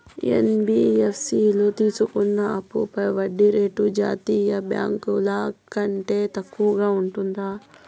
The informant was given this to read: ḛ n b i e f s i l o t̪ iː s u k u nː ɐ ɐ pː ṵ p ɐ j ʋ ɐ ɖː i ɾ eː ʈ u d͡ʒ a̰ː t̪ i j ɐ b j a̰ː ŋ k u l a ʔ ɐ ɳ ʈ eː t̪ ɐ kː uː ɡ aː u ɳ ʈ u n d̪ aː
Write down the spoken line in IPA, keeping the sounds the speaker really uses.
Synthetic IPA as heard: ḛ n b i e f s i l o t̪ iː s u k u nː ɐ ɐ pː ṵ p ɐ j ʋ ɐ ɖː i ɾ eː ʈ u d͡ʒ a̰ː t̪ i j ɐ b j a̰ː ŋ k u l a k ɐ ɳ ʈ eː t̪ ɐ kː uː ɡ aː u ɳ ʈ u n d̪ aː